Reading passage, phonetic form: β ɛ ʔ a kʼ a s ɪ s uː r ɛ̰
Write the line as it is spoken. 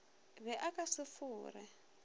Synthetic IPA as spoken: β ɛ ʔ a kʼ a s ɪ f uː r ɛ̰

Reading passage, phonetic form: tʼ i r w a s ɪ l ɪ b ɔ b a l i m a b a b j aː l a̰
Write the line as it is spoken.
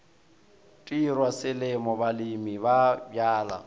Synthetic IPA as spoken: tʼ i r w a s ɪ l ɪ m ɔ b a l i m i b a b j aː l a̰

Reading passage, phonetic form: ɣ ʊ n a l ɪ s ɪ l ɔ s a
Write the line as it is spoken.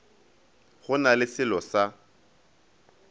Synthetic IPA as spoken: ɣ ʊ n a l ɪ s ɪ l ɔ s a

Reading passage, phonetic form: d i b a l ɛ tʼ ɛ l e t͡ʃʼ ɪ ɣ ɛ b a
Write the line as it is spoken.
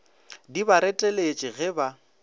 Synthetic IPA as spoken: d i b a ɾ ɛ tʼ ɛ l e t͡ʃʼ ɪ ɣ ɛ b a

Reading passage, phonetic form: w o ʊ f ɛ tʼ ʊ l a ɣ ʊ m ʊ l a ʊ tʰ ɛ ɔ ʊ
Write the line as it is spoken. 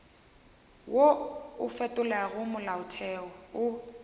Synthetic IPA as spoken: w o ʊ f ɛ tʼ ʊ l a ɣ ʊ m ʊ l a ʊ tʰ ɛ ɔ ʊ

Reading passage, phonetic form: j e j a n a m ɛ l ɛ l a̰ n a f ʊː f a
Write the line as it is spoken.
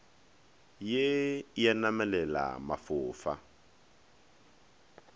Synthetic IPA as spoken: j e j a n a m ɛ l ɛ l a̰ m a f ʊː f a

